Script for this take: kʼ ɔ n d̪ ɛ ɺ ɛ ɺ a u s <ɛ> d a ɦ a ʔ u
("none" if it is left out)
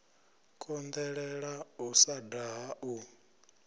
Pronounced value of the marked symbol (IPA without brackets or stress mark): a